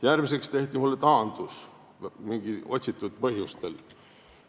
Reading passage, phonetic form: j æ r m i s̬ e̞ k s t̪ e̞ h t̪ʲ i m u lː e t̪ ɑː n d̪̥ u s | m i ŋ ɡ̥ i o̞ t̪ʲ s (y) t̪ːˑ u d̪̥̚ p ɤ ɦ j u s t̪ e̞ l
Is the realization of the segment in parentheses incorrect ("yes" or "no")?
yes